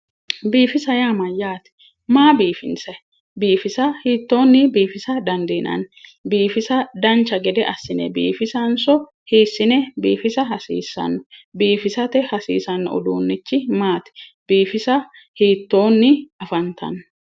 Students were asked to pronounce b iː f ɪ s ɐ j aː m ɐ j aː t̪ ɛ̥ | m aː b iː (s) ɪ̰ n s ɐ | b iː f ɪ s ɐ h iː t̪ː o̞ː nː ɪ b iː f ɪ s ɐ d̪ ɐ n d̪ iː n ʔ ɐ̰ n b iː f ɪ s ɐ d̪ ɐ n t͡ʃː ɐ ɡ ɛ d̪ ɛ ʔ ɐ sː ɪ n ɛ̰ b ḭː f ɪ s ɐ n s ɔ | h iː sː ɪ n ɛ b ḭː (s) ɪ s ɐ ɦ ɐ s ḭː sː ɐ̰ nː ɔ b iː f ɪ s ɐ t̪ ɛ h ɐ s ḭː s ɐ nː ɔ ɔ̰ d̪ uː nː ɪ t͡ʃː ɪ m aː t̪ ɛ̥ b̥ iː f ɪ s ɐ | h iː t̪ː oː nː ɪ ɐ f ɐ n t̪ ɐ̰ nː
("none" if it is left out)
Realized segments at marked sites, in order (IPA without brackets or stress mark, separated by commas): f, f